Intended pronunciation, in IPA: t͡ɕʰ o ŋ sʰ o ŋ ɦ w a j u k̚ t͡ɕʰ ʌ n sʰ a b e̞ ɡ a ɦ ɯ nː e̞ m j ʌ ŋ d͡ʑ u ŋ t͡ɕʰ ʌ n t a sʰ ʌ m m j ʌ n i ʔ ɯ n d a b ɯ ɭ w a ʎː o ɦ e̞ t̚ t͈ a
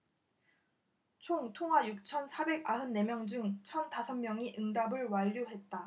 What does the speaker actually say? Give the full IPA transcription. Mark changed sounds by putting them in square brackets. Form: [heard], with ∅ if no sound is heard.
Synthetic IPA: t͡ɕʰ o ŋ [tʰ] o ŋ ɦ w a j u k̚ t͡ɕʰ ʌ n sʰ a b e̞ ɡ a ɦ ɯ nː e̞ m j ʌ ŋ d͡ʑ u ŋ t͡ɕʰ ʌ n t a sʰ ʌ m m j ʌ [ŋ] i ʔ ɯ [ŋ] d a b ɯ ɭ w a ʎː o ɦ e̞ t̚ t͈ a